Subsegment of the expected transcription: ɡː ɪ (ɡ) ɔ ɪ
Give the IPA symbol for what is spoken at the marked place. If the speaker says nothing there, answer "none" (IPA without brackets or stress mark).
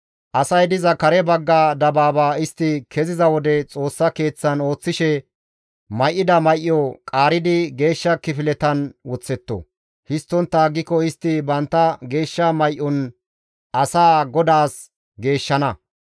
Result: k